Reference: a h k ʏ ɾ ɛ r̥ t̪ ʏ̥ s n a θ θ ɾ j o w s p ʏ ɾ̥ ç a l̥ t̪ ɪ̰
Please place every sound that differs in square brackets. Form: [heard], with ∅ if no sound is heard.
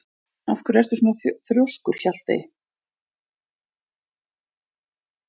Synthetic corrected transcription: a [f] k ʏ ɾ ɛ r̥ t̪ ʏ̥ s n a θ θ ɾ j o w s [k] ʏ ɾ̥ ç a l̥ t̪ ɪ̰

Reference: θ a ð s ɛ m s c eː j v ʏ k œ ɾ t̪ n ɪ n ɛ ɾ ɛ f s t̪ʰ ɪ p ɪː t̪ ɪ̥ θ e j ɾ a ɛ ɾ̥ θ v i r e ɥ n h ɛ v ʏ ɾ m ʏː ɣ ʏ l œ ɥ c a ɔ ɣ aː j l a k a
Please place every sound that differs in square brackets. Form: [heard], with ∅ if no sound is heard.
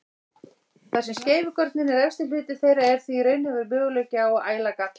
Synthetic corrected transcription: θ a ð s ɛ m s c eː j v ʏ k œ ɾ t̪ n ɪ n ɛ ɾ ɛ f s [t̪] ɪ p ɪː t̪ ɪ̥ θ e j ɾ a ɛ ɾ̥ θ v i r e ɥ n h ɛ v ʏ ɾ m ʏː ɣ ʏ l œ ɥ c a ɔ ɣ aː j l a k a

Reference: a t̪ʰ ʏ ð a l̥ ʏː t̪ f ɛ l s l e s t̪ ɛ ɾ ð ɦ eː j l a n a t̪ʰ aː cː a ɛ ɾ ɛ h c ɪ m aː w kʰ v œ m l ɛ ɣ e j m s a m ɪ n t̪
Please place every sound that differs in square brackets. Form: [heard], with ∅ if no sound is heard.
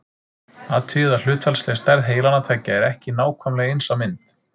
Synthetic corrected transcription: a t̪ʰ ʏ ð a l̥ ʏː t̪ f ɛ l s l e s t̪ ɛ ɾ ð ɦ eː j l a n a t̪ʰ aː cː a ɛ ɾ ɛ h c ɪ [n] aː w kʰ v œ m l ɛ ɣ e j [n] s a m ɪ n t̪

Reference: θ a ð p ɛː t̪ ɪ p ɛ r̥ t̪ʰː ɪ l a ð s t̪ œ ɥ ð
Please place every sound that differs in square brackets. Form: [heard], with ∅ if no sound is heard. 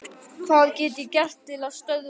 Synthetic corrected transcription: θ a ð [c] ɛː t̪ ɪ [c] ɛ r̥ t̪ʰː ɪ l a ð s t̪ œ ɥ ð

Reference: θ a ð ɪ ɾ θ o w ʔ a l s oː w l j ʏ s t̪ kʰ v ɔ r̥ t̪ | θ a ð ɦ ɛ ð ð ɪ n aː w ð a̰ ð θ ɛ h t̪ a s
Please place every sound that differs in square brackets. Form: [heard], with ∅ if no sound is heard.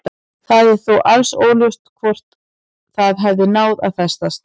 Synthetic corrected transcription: θ a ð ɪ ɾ θ o w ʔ a l s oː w l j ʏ s t̪ kʰ v ɔ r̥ t̪ | θ a ð ɦ ɛ [v] ð ɪ n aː w ð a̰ ð θ ɛ [s] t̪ a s

